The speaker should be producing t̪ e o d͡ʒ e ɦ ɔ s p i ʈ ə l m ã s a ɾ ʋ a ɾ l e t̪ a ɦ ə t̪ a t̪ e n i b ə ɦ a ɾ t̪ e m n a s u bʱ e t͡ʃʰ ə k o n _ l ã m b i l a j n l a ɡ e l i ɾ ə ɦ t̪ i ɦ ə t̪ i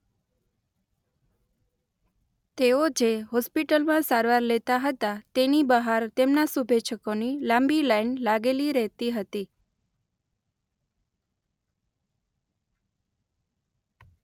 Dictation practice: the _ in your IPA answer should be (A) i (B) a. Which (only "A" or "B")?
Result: A